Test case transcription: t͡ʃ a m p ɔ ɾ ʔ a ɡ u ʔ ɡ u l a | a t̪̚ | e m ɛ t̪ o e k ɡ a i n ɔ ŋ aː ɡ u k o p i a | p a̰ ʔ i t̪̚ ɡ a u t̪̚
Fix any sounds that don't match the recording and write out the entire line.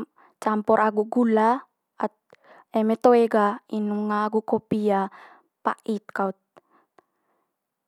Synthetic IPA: t͡ʃ a m p ɔ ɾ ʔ a ɡ u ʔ ɡ u l a | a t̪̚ | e m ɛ t̪ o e ɡ a i n u ŋ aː ɡ u k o p i a | p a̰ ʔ i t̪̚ k a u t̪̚